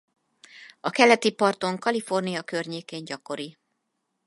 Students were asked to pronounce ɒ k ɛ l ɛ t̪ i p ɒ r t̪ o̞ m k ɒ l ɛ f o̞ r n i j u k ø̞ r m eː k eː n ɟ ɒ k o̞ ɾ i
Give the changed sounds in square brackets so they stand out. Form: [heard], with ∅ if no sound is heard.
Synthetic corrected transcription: ɒ k ɛ l ɛ t̪ i p ɒ r t̪ o̞ [ŋ] k ɒ l [i] f o̞ r n i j [ɒ] k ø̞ r [ɲ] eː k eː [ɲ] ɟ ɒ k o̞ ɾ i

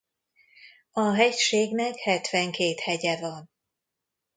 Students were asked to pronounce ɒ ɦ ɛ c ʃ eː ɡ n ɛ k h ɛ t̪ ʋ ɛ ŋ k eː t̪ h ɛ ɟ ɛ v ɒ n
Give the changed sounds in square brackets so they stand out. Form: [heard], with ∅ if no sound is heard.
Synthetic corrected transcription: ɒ ɦ ɛ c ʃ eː ɡ n ɛ k h ɛ t̪ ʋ ɛ ŋ k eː t̪ h ɛ ɟ ɛ v ɒ n

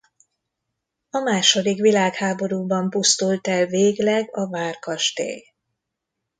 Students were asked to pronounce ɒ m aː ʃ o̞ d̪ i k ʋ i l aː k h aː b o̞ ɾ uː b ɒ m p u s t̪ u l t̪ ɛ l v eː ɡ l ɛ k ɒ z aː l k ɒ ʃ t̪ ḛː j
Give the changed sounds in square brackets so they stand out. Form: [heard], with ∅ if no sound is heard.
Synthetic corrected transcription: ɒ m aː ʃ o̞ d̪ i k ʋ i l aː k h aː b o̞ ɾ uː b ɒ m p u s t̪ u l t̪ ɛ l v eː ɡ l ɛ [ɡ] ɒ [v] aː [r] k ɒ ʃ t̪ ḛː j

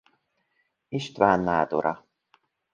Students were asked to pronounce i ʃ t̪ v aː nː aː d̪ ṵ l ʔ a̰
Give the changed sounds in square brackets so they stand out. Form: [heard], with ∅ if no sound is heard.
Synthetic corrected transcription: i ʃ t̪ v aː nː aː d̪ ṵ [ɾ] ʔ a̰

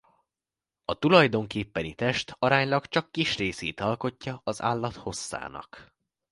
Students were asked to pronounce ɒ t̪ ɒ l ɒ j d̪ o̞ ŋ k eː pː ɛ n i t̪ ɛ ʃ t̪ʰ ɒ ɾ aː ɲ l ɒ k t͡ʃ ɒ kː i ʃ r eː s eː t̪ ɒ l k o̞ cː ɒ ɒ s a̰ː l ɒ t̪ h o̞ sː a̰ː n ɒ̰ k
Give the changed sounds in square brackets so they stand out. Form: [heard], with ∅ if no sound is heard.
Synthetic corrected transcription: ɒ t̪ [u] l ɒ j d̪ o̞ ŋ k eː pː ɛ n i t̪ ɛ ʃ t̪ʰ ɒ ɾ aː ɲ l ɒ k t͡ʃ ɒ kː i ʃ r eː s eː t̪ ɒ l k o̞ cː ɒ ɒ [z] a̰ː [lː] ɒ t̪ h o̞ sː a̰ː n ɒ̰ k

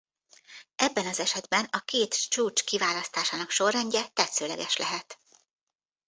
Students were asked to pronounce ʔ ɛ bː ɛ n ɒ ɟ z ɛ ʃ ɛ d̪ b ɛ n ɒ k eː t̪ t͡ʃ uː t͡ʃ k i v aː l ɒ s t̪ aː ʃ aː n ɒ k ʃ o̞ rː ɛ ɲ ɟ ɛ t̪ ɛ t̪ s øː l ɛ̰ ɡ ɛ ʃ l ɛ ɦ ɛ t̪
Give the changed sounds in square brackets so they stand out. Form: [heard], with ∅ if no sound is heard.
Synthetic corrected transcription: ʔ ɛ bː ɛ n ɒ [∅] z ɛ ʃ ɛ d̪ b ɛ n ɒ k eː t̪ t͡ʃ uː t͡ʃ k i v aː l ɒ s t̪ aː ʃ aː n ɒ k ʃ o̞ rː ɛ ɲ ɟ ɛ t̪ ɛ t̪ s øː l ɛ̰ ɡ ɛ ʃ l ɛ ɦ ɛ t̪

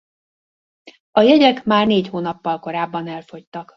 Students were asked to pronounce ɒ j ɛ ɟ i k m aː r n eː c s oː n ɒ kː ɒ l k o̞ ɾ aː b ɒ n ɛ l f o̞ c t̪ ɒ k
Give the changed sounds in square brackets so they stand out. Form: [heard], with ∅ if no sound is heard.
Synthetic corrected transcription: ɒ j ɛ ɟ [ɛ] k m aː r n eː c [h] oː n ɒ [pː] ɒ l k o̞ ɾ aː [bː] ɒ n ɛ l f o̞ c t̪ ɒ k

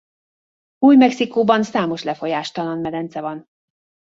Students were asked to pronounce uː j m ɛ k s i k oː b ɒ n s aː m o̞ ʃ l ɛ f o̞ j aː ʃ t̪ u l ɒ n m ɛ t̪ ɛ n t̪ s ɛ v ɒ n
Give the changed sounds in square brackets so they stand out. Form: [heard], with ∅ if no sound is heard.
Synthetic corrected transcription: uː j m ɛ k s i k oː b ɒ n s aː m o̞ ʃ l ɛ f o̞ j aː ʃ t̪ [ɒ] l ɒ n m ɛ [d̪] ɛ n t̪ s ɛ v ɒ n

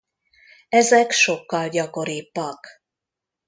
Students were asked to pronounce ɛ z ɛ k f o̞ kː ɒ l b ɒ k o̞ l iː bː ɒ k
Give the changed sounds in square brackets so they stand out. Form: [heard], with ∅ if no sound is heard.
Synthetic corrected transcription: ɛ z ɛ k [ʃ] o̞ kː ɒ l [ɟ] ɒ k o̞ [ɾ] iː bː ɒ k

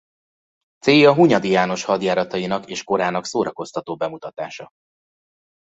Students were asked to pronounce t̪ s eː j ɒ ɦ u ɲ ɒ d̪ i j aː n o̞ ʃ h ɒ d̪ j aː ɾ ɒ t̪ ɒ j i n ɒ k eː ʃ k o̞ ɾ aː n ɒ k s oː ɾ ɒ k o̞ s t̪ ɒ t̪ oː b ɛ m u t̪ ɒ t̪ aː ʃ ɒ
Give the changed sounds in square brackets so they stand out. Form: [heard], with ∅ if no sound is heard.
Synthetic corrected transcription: t̪ s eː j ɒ ɦ u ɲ ɒ d̪ i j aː n o̞ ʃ h ɒ d̪ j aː ɾ ɒ t̪ ɒ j i n ɒ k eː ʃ k o̞ ɾ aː n ɒ k s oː ɾ ɒ k o̞ s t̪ ɒ t̪ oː b ɛ m u t̪ ɒ t̪ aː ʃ ɒ

